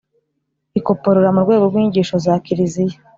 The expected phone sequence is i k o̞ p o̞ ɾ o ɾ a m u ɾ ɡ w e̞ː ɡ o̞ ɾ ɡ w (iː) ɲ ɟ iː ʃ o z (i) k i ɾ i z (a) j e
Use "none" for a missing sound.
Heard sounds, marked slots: iː, a, i

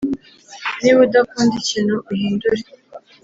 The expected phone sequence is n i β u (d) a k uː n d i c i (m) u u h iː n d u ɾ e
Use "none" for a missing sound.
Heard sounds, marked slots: d, n

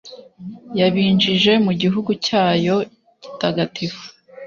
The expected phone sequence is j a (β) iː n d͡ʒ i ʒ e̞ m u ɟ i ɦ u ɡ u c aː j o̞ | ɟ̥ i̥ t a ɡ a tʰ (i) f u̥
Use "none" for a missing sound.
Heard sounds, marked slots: β, i

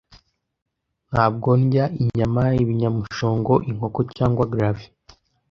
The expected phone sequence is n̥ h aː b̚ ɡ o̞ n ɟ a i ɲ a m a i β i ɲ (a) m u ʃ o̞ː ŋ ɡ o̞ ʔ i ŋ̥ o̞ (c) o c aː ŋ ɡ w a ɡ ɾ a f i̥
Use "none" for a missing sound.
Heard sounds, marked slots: a, k

